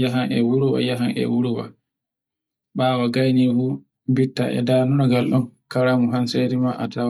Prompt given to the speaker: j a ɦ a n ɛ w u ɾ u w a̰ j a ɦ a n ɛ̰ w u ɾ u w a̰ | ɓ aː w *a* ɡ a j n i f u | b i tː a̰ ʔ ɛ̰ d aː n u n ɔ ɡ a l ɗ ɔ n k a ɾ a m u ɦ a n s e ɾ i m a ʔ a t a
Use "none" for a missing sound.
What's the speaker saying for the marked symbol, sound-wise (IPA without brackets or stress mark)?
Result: a